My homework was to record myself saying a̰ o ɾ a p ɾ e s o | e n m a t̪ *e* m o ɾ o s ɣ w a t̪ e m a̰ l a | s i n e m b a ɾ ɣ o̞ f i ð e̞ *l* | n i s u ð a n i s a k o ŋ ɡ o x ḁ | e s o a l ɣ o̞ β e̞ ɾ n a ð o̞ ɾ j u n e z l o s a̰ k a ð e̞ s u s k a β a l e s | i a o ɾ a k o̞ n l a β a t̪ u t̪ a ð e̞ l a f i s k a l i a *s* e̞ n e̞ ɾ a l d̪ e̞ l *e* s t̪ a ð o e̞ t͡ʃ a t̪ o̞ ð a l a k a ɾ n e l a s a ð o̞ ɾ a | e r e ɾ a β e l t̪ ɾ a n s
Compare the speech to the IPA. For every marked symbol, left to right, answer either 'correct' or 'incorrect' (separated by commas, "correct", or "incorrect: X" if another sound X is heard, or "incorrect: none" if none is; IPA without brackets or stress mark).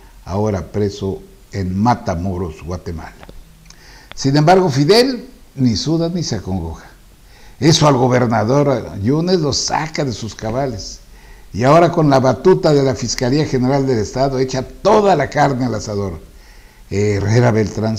incorrect: a, correct, incorrect: x, correct